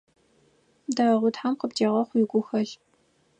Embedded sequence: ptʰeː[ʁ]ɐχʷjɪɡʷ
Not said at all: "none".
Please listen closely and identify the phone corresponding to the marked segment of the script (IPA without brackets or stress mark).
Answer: ʁ